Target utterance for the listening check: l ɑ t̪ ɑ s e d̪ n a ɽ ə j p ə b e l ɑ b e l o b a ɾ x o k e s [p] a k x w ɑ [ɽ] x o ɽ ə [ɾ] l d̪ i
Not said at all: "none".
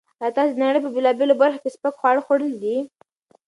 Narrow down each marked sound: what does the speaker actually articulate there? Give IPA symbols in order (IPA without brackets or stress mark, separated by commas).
p, ɽ, none